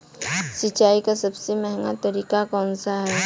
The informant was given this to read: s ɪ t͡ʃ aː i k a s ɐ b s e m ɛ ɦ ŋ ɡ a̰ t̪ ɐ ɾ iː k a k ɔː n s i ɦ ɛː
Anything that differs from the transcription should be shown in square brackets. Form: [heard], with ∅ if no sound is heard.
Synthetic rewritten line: s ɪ t͡ʃ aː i k a s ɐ b s e m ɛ ɦ ŋ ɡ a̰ t̪ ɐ ɾ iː k a k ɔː n s [a] ɦ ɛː